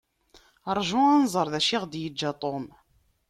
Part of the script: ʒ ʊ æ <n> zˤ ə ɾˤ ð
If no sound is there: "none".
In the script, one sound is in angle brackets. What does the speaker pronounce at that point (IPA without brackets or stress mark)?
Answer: n